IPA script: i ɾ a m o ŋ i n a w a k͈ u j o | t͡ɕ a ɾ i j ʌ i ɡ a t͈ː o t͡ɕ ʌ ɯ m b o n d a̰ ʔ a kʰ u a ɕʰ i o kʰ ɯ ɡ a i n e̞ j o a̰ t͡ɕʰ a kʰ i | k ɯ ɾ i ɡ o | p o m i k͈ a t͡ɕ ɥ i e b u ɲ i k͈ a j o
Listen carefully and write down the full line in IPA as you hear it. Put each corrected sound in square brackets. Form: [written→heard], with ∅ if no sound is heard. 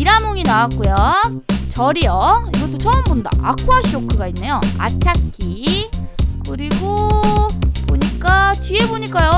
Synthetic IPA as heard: i ɾ a m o ŋ i n a w a k͈ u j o | t͡ɕ [a→ʌ] ɾ i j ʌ i ɡ [a→ʌ] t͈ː o t͡ɕ ʌ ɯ m b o n d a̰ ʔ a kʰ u a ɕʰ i o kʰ ɯ ɡ a i [n→nː] e̞ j o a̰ t͡ɕʰ a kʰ i | k ɯ ɾ i ɡ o | p o [m→ɲ] i k͈ a t͡ɕ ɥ i e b [u→o] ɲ i k͈ a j o